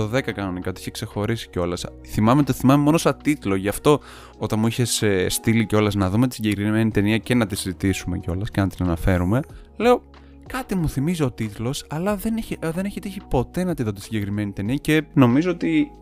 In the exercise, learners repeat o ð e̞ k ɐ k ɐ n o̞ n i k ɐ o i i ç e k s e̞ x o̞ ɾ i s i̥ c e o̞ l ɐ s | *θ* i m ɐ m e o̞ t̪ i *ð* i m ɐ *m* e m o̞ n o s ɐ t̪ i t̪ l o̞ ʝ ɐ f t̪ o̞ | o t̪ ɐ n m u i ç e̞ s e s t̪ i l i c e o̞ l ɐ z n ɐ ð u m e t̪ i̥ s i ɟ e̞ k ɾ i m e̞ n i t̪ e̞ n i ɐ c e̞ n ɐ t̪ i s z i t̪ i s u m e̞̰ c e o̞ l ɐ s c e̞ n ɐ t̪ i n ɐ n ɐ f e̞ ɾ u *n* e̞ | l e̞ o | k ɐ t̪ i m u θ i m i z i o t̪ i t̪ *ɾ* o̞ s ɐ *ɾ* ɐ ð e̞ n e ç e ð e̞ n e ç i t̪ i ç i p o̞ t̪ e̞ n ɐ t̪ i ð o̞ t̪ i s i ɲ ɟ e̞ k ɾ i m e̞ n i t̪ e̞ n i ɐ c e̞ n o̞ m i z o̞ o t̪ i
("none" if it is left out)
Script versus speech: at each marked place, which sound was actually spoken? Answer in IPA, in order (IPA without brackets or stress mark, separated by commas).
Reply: θ, θ, m, m, l, l